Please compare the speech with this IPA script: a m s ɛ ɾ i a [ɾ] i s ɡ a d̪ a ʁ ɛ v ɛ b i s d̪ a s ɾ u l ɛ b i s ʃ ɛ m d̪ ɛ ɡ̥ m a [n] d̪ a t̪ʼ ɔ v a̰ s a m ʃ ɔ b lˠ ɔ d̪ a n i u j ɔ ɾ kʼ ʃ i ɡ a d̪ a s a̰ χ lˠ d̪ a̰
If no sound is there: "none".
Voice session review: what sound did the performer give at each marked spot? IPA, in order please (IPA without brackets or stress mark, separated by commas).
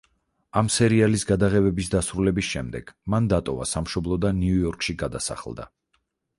l, n